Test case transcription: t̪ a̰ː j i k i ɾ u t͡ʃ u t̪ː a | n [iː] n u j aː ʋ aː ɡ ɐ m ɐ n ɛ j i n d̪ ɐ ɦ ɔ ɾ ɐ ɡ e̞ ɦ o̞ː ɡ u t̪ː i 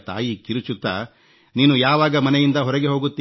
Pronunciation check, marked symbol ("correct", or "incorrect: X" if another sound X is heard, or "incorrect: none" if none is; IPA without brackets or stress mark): correct